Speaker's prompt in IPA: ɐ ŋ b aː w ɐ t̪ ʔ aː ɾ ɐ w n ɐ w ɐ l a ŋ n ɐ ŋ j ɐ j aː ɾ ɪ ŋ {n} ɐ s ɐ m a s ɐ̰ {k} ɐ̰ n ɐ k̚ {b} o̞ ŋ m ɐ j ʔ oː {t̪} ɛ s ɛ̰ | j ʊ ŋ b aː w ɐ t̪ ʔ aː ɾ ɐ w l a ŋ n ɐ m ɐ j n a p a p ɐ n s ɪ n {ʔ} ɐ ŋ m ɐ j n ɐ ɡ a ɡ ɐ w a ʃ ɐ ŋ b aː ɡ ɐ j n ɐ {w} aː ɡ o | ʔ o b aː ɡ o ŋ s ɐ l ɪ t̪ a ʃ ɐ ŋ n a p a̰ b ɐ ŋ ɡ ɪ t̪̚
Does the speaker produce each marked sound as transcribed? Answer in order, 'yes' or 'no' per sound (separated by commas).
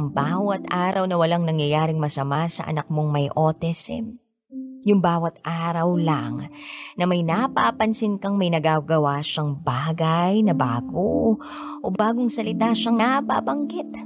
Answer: no, no, no, yes, no, no